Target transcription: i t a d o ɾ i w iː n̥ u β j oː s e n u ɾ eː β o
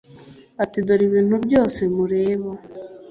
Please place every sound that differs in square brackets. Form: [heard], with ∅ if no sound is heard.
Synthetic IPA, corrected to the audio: [a] t [i] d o ɾ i [β] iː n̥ u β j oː s e [m] u ɾ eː β o